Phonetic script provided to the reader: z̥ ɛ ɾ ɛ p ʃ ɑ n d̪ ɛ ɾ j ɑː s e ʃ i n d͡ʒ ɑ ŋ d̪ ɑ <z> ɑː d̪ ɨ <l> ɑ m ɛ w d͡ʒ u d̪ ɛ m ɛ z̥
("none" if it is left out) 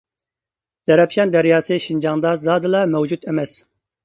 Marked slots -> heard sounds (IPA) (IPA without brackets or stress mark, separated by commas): z, l